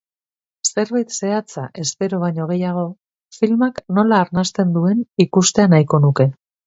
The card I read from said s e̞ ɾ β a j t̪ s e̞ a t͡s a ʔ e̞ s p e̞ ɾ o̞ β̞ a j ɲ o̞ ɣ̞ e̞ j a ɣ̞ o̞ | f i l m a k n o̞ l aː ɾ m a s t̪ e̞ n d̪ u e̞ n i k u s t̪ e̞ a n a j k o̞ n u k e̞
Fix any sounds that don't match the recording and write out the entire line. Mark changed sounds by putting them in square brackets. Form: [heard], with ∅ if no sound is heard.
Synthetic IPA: s e̞ ɾ β a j t̪ s e̞ a t͡s a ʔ e̞ s p e̞ ɾ o̞ β̞ a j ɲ o̞ ɣ̞ e̞ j a ɣ̞ o̞ | f i l m a k n o̞ l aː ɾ [n] a s t̪ e̞ n d̪ u e̞ n i k u s t̪ e̞ a n a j k o̞ n u k e̞